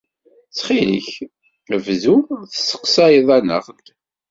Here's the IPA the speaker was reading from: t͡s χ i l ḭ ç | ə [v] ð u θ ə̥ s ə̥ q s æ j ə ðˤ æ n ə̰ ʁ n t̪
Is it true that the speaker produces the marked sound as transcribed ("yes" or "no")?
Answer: yes